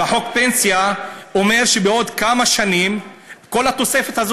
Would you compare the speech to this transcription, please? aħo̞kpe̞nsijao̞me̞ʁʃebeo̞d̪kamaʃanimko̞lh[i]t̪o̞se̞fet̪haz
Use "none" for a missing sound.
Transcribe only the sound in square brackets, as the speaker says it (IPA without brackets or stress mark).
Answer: a